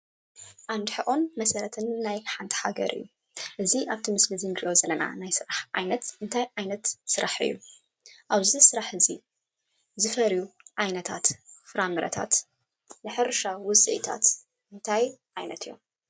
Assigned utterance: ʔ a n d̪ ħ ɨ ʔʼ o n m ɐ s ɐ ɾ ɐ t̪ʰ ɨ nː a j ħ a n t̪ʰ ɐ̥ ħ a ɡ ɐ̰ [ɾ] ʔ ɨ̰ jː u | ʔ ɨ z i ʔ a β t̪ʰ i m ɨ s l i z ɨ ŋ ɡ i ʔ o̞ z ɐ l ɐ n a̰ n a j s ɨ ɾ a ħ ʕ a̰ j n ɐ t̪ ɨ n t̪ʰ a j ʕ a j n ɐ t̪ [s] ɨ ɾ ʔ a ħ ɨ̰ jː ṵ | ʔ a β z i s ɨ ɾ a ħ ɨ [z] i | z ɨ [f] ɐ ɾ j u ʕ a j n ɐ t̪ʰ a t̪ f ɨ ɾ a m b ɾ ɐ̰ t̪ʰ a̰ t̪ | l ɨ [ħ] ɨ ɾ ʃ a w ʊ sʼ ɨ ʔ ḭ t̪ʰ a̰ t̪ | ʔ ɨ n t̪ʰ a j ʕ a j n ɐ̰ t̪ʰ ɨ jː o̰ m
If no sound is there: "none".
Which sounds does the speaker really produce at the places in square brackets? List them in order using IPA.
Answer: ɾ, s, z, f, ħ

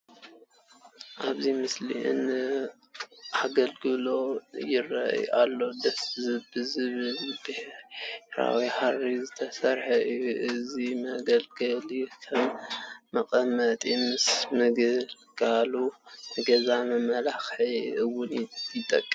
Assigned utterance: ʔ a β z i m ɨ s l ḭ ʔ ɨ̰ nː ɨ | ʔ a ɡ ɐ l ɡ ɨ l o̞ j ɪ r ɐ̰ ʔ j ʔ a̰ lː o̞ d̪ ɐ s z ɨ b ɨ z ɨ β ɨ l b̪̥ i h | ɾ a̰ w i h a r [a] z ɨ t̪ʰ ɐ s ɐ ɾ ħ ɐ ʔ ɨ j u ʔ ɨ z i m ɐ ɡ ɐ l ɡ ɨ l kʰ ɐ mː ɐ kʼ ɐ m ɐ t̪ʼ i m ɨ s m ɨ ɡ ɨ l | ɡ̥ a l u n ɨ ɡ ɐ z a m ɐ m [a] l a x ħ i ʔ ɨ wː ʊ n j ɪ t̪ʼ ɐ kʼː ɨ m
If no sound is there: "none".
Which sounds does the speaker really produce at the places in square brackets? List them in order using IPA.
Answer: i, ɐ

